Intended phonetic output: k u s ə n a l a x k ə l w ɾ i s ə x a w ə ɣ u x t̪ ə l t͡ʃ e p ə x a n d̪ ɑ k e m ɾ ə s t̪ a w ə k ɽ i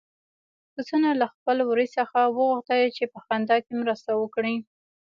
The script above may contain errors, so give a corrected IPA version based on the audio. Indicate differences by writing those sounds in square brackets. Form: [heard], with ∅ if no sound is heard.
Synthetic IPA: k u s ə n a l a x [p] ə l w ɾ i s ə x a w ə ɣ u x t̪ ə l t͡ʃ e p ə x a n d̪ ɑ k e m ɾ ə s t̪ a w ə k ɽ i